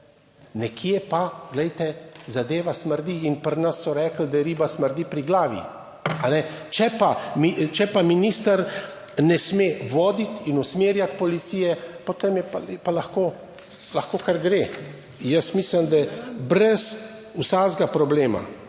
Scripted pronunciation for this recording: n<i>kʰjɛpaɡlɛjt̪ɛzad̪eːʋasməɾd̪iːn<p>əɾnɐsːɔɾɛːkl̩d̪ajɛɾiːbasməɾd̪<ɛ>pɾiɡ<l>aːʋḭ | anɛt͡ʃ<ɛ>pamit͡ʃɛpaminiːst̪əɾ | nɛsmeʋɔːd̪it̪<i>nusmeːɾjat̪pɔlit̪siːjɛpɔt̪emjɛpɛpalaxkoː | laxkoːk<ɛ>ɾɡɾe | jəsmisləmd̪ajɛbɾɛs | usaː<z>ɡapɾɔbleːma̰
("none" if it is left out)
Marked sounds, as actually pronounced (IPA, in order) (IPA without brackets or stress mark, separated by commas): ɛ, p, i, l, ɛ, i, a, z